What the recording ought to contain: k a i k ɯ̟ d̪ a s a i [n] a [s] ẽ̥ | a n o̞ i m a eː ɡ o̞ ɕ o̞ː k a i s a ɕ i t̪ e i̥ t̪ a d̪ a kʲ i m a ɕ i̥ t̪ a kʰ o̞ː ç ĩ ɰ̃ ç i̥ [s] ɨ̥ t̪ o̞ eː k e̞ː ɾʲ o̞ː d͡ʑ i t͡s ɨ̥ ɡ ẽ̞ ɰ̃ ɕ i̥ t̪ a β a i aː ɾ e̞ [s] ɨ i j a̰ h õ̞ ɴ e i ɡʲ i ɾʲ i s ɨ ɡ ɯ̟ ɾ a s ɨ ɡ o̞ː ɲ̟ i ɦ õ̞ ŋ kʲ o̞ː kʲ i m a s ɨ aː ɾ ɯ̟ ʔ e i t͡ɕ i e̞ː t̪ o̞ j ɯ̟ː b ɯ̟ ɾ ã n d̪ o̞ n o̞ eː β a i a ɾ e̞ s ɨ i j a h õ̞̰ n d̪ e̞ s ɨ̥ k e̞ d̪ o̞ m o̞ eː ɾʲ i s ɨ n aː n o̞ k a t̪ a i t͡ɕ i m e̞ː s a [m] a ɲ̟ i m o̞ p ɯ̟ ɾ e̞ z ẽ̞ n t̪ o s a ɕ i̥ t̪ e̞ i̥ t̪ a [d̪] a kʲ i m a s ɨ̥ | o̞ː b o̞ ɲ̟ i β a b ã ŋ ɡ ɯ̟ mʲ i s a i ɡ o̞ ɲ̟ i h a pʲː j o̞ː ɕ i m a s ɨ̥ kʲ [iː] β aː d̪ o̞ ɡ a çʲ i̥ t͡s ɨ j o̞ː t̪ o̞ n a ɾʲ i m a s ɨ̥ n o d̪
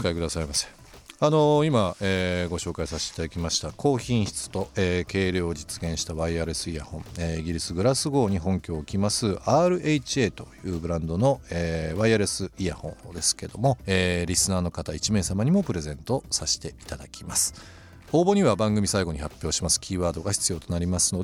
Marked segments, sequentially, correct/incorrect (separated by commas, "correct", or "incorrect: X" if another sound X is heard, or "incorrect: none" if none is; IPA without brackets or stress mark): incorrect: m, correct, incorrect: t͡s, correct, correct, correct, correct